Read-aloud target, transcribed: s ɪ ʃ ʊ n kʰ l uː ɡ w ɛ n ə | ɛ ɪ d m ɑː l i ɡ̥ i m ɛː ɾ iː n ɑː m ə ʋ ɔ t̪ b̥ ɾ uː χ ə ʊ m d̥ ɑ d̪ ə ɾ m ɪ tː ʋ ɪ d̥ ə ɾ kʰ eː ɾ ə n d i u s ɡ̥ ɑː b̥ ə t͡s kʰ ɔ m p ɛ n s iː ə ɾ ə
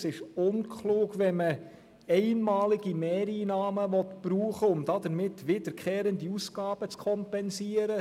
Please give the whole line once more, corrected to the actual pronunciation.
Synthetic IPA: s ɪ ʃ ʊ n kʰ l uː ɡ ʋ ɛ m ə | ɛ ɪ n m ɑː l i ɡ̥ i m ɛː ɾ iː n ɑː m ə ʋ ɔ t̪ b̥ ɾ uː χ ə ʊ m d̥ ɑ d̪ ə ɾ m ɪ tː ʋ ɪ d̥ ə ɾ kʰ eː ɾ ə n d i u s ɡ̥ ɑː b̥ ə t͡s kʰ ɔ m p ɛ n s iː ə ɾ ə